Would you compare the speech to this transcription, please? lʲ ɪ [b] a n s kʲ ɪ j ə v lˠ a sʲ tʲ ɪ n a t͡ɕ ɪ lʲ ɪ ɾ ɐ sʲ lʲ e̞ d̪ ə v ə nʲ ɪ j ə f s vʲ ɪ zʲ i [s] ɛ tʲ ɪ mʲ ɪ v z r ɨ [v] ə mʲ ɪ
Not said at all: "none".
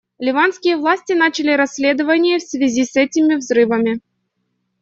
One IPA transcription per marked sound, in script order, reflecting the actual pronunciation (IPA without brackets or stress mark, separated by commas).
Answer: v, s, v